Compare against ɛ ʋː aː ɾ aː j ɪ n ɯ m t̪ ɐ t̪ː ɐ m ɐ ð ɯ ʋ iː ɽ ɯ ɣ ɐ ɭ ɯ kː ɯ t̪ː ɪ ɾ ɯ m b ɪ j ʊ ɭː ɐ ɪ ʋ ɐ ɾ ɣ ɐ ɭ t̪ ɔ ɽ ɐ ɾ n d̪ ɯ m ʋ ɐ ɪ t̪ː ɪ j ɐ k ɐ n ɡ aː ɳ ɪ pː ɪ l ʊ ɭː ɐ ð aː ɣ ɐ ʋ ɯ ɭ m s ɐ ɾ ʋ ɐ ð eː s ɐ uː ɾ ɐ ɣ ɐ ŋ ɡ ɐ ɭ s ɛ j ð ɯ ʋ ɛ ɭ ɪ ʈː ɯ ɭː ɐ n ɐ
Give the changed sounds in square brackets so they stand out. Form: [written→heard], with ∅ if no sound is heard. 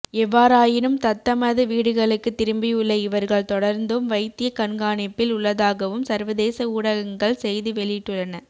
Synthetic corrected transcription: ɛ ʋː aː ɾ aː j ɪ n ɯ m t̪ ɐ t̪ː ɐ m ɐ ð ɯ ʋ iː ɽ ɯ ɣ ɐ ɭ ɯ kː ɯ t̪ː ɪ ɾ ɯ m b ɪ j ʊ ɭː ɐ ɪ ʋ ɐ ɾ ɣ ɐ ɭ t̪ ɔ ɽ ɐ ɾ n d̪ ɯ m ʋ ɐ ɪ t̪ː ɪ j ɐ k ɐ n ɡ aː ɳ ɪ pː ɪ l ʊ ɭː ɐ ð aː ɣ ɐ ʋ ɯ [ɭ→∅] m s ɐ ɾ ʋ ɐ ð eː s ɐ uː [ɾ→ɽ] ɐ ɣ ɐ ŋ ɡ ɐ ɭ s ɛ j ð ɯ ʋ ɛ ɭ ɪ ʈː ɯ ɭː ɐ n ɐ